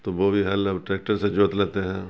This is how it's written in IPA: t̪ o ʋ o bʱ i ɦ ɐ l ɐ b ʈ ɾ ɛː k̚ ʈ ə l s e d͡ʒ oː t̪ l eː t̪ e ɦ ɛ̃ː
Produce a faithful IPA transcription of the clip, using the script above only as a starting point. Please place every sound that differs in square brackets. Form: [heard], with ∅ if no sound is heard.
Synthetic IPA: t̪ o ʋ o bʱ i ɦ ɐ l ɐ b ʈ ɾ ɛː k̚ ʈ ə [ɾ] s e d͡ʒ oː t̪ l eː t̪ e ɦ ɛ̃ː